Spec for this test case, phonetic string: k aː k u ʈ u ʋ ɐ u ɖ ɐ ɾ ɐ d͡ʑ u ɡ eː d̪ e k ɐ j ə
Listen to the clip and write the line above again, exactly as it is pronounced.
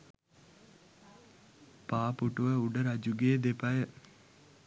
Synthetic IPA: p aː p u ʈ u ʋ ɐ u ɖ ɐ ɾ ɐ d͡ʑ u ɡ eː d̪ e p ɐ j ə